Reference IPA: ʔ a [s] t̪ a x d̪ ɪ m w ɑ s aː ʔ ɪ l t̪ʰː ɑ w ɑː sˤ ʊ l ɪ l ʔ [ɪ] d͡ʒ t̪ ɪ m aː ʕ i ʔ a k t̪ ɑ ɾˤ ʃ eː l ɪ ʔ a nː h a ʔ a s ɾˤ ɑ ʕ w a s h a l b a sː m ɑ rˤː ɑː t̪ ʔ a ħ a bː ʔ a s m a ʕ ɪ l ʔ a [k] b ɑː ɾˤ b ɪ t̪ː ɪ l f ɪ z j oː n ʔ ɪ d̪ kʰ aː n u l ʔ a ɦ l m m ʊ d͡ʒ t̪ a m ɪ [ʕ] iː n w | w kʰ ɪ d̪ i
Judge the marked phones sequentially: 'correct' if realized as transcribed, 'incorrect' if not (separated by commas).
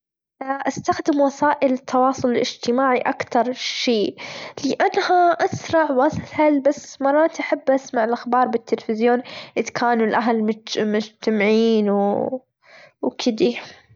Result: correct, correct, incorrect, correct